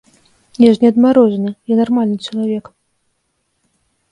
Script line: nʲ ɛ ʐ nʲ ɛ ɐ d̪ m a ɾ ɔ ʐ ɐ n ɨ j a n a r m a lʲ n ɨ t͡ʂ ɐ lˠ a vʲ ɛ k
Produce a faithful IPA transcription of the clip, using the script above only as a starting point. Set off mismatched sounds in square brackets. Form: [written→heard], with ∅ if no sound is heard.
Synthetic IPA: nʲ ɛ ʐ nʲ ɛ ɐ d̪ m a ɾ ɔ ʐ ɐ n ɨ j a n a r m a lʲ n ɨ t͡ʂ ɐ lˠ a vʲ ɛ k